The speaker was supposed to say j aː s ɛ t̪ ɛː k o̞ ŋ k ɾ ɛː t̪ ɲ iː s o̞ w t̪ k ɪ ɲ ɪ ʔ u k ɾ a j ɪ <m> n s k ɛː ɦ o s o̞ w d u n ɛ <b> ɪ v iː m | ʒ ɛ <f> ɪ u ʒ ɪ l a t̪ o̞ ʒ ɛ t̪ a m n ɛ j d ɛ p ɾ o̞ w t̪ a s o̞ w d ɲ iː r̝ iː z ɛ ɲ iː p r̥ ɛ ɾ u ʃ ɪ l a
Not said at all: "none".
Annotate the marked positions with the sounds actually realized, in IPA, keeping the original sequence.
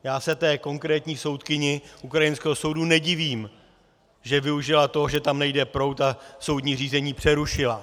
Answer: none, ɟ, v

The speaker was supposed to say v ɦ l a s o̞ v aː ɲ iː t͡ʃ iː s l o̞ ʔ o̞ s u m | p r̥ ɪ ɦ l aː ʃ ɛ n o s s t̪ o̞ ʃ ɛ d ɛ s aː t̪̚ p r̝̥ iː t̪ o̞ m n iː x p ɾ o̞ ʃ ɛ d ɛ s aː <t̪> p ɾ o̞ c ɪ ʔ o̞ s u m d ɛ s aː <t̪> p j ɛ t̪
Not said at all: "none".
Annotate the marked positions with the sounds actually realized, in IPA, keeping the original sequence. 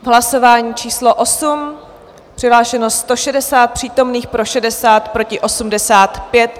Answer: t̪, t̪

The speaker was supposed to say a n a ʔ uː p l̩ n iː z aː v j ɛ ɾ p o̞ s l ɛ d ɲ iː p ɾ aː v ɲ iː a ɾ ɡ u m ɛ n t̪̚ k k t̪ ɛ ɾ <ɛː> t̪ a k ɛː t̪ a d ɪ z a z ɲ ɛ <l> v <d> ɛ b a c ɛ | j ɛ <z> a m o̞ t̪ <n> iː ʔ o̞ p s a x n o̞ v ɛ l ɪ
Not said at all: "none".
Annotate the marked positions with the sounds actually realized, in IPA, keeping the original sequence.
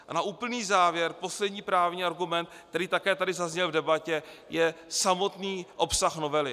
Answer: iː, l, d, s, n

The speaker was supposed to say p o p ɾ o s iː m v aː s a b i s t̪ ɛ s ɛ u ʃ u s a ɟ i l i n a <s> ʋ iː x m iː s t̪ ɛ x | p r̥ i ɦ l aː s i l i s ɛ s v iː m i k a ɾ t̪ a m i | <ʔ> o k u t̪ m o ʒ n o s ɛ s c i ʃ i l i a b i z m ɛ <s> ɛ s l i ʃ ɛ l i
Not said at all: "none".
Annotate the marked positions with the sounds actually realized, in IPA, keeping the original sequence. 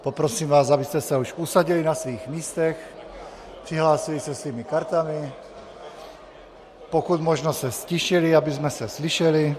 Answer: s, p, s

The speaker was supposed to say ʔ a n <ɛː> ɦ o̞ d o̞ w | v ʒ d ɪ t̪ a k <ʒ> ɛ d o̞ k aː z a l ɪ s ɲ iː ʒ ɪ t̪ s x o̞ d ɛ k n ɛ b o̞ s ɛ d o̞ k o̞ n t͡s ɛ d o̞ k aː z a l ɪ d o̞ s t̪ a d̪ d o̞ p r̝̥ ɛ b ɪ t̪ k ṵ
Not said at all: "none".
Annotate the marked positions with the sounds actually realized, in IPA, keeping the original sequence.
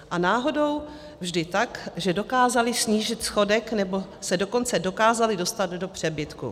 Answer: aː, ʒ

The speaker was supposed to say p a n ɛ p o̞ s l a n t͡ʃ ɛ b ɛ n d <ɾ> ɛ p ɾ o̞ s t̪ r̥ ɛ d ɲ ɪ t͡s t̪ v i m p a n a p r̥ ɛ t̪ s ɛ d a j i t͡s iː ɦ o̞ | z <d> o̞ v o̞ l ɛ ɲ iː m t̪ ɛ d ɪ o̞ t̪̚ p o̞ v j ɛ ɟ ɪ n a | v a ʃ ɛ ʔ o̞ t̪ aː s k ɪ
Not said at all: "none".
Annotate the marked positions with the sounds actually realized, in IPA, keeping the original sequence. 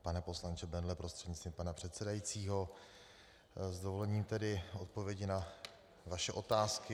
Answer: l, d

